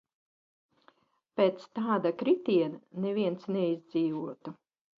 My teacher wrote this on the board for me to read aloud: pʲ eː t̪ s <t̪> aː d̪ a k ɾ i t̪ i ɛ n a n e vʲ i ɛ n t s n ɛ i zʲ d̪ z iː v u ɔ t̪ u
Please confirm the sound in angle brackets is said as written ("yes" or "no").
yes